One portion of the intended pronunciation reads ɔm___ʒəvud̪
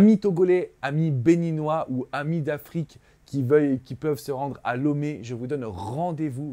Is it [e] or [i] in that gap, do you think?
e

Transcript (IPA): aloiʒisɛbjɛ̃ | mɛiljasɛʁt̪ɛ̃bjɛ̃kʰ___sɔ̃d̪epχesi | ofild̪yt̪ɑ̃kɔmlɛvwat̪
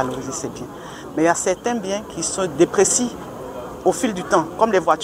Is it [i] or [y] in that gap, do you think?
i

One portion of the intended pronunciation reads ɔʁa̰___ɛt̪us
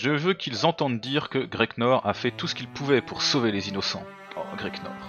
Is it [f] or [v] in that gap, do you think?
f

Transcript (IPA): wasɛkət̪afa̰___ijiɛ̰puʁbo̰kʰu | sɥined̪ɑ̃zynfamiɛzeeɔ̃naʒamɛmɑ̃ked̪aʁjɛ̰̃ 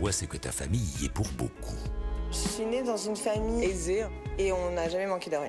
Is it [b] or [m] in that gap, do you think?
m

